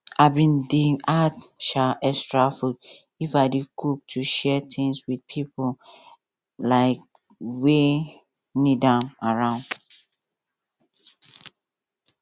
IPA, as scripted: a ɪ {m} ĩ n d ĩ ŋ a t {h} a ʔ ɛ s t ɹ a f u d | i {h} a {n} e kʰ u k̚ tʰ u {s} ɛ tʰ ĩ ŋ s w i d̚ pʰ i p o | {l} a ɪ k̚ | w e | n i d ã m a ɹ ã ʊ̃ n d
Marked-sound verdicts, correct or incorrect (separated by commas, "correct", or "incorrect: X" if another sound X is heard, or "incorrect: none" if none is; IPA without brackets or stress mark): incorrect: b, incorrect: ʃ, incorrect: f, incorrect: d, incorrect: ʃ, correct